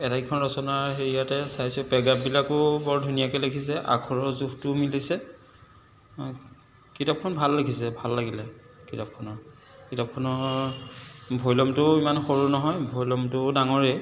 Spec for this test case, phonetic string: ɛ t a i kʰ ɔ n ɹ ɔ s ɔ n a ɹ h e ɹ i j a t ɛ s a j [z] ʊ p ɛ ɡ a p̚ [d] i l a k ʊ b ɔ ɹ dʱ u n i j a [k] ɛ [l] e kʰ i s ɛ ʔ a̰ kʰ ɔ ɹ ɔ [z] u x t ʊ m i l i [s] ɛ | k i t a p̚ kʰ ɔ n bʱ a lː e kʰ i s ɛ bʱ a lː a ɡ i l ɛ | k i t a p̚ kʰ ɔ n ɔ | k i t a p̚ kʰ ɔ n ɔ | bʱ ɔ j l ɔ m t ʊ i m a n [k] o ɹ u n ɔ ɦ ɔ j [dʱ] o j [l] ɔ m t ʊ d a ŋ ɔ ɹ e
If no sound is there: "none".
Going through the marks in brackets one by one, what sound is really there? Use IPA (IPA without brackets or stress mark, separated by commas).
s, b, k, l, z, s, x, bʱ, l